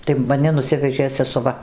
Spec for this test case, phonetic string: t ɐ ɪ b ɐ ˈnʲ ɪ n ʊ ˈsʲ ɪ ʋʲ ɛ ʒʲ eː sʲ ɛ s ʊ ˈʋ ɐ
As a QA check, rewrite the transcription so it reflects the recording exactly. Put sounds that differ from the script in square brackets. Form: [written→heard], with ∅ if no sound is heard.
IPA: t ɐ ɪ [b→m] ɐ ˈnʲ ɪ n ʊ ˈsʲ ɪ ʋʲ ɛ ʒʲ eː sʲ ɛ s ʊ ˈʋ ɐ